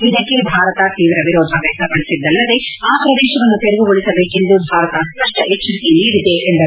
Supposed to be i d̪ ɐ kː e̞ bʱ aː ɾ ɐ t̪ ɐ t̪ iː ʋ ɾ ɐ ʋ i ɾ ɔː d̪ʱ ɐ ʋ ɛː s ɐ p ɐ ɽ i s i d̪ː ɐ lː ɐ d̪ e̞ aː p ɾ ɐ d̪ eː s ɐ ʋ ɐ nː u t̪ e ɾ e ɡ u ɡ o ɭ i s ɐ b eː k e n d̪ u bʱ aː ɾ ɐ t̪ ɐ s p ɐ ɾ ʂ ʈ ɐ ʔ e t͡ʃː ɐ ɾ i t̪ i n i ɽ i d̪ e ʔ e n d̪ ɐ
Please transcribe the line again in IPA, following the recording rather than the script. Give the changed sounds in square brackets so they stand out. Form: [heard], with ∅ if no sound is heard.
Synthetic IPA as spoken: i d̪ ɐ kː e̞ bʱ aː ɾ ɐ t̪ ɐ t̪ iː ʋ ɾ ɐ ʋ i ɾ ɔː d̪ʱ ɐ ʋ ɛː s ɐ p ɐ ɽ i s i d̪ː ɐ lː ɐ d̪ e̞ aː p ɾ ɐ d̪ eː [ʃ] ɐ ʋ ɐ nː u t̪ e ɾ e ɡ u ɡ o ɭ i s ɐ b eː k e n d̪ u bʱ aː ɾ ɐ t̪ ɐ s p ɐ [∅] ʂ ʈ ɐ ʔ e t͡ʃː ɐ ɾ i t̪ i n [iː] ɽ i d̪ e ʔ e n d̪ ɐ